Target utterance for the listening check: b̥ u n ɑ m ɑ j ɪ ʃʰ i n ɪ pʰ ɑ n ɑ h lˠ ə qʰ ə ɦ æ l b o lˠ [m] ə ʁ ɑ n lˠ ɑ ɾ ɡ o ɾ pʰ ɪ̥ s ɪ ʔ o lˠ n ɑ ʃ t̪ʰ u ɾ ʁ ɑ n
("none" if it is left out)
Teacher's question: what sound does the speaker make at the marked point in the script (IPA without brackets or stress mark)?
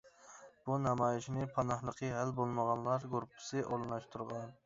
m